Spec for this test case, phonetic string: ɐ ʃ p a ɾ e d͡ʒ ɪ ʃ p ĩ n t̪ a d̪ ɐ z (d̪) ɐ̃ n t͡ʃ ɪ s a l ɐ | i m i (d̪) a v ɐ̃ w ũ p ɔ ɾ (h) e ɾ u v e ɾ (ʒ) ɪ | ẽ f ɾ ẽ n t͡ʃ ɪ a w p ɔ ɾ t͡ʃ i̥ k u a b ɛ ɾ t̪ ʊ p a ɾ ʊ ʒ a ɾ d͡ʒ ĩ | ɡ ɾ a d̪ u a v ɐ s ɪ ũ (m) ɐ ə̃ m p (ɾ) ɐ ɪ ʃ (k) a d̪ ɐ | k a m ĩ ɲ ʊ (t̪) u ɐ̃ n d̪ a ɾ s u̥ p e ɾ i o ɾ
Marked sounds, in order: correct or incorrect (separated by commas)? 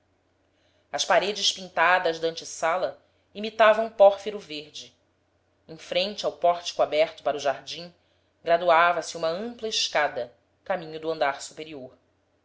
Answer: correct, incorrect, incorrect, incorrect, correct, incorrect, correct, incorrect